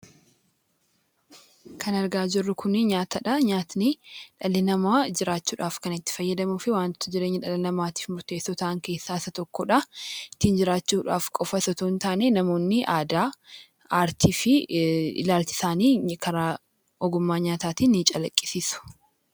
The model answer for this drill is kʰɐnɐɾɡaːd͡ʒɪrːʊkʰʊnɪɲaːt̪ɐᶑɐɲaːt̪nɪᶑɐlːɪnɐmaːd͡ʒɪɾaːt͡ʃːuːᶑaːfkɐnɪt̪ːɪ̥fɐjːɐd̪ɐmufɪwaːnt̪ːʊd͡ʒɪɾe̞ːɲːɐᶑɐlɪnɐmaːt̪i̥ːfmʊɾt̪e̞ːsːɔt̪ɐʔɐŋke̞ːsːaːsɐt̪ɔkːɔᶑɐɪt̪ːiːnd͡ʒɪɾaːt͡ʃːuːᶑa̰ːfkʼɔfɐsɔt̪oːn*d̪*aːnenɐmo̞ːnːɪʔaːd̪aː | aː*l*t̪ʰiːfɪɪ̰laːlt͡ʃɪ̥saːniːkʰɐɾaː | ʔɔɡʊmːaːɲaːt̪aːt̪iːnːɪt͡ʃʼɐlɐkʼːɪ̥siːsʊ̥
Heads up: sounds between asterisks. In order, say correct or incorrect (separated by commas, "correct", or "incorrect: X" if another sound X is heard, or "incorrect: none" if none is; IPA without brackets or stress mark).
incorrect: t̪, incorrect: ɾ